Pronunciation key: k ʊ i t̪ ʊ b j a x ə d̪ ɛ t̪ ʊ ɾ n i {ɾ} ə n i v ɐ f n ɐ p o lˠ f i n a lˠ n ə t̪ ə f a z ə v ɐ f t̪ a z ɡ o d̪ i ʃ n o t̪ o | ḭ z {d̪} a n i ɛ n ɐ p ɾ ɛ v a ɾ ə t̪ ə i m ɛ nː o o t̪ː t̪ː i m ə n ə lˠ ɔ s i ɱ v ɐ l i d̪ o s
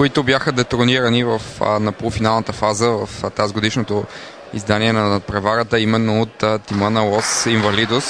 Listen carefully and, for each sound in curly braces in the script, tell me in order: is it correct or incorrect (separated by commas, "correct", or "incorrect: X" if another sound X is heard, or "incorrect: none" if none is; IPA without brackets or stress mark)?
correct, correct